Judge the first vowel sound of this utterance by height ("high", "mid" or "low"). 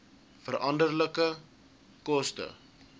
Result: mid